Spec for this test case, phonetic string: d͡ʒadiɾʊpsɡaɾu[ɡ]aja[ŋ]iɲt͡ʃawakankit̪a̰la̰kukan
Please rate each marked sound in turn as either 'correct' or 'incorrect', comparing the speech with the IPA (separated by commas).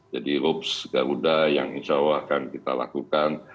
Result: incorrect, correct